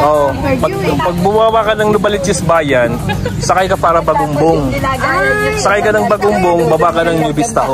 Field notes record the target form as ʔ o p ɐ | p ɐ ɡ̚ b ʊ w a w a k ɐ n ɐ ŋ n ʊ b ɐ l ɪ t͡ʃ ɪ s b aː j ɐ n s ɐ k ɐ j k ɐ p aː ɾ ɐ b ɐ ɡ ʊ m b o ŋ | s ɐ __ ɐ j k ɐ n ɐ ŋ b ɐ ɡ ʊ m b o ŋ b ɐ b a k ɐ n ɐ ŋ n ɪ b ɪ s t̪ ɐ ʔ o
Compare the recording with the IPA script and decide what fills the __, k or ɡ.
k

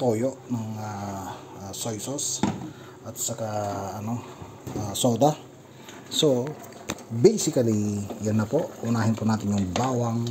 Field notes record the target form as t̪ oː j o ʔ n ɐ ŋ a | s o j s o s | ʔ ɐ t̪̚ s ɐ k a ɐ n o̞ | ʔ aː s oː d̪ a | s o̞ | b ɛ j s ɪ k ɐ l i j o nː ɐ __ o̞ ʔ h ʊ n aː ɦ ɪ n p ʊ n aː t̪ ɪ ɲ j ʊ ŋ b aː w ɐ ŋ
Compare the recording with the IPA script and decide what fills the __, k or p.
p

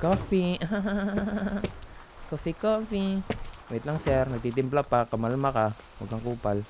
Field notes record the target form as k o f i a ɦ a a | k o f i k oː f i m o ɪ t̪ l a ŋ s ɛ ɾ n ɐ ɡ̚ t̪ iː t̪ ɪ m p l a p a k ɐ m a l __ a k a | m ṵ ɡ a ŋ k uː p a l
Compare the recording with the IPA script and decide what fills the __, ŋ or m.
m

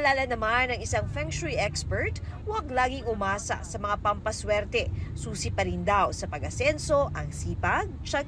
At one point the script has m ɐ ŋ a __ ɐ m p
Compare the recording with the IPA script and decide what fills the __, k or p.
p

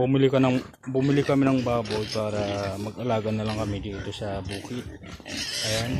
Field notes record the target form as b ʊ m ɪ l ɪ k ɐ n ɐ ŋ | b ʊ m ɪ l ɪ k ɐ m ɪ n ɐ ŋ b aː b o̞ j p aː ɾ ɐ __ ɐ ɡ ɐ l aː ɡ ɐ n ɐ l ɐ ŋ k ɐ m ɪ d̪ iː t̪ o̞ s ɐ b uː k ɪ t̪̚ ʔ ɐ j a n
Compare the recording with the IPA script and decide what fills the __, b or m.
m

